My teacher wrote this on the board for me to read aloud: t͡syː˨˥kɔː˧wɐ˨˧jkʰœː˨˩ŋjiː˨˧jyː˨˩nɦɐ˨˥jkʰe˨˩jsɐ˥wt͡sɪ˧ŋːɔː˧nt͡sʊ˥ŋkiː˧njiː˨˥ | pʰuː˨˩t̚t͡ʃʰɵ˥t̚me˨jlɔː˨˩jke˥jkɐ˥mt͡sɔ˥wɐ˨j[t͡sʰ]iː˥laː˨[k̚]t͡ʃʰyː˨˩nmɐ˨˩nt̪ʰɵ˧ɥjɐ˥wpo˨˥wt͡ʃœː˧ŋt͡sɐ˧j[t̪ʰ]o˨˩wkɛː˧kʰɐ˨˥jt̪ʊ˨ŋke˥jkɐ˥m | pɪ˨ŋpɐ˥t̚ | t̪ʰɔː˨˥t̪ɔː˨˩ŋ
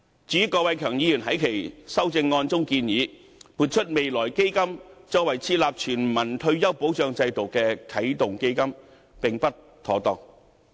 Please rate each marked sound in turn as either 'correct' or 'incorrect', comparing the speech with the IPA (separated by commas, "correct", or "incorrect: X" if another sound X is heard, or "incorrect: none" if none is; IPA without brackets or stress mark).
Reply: correct, incorrect: p̚, incorrect: t̪